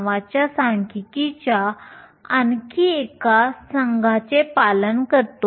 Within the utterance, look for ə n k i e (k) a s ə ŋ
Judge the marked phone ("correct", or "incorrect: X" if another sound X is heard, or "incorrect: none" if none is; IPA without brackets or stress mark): correct